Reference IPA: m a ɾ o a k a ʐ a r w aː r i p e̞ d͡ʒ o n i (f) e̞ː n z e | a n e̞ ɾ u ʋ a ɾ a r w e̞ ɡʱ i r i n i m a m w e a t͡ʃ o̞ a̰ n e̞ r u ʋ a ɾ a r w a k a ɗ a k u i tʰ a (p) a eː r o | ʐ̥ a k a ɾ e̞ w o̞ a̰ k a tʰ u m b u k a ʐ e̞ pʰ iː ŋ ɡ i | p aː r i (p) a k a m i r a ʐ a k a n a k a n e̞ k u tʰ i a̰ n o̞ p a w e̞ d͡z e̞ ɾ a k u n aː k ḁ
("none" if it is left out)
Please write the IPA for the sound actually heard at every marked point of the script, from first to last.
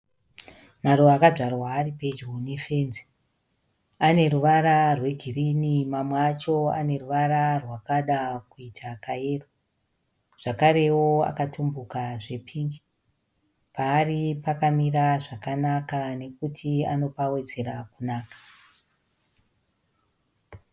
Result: f, k, p

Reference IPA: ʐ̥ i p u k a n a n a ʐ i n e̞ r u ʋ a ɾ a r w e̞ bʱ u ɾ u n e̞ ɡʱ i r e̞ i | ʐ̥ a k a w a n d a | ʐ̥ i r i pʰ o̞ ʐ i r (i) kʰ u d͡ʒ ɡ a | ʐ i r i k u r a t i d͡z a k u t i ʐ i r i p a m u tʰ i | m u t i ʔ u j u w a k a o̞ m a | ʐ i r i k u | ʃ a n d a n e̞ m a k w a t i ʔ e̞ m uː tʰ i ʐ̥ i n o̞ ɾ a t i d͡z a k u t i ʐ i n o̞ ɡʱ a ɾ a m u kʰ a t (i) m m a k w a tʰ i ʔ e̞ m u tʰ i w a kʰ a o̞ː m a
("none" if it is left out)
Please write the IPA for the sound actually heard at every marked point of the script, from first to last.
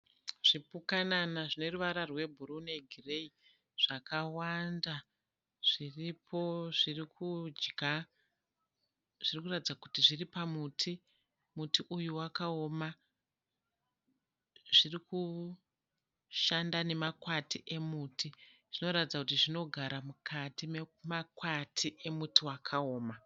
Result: i, i

